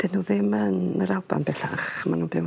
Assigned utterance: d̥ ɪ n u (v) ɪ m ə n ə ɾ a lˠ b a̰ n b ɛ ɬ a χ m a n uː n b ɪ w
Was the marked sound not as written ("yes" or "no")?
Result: yes